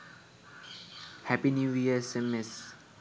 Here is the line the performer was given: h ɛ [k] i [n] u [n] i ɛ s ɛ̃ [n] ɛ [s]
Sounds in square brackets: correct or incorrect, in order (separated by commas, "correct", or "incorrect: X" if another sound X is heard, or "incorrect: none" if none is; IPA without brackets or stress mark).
incorrect: p, correct, incorrect: none, incorrect: m, correct